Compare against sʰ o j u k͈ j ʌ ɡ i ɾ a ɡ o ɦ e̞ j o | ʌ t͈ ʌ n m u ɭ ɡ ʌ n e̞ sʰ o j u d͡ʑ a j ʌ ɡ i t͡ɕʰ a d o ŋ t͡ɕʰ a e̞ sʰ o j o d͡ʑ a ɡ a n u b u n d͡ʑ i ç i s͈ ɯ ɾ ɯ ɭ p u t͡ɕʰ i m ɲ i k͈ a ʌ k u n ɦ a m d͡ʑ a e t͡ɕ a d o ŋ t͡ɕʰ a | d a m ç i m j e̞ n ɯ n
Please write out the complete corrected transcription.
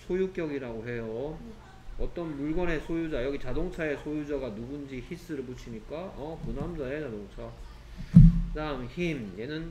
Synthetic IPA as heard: sʰ o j u k͈ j ʌ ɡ i ɾ a ɡ o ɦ e̞ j o | ʌ t͈ ʌ n m u ɭ ɡ ʌ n e̞ sʰ o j u d͡ʑ a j ʌ ɡ i t͡ɕ a d o ŋ t͡ɕʰ a e̞ sʰ o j u d͡ʑ a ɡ a n u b u n d͡ʑ i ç i s͈ ɯ ɾ ɯ ɭ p u t͡ɕʰ i m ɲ i k͈ a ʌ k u n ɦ a m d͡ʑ a e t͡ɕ a d o ŋ t͡ɕʰ a | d a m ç i m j e̞ n ɯ n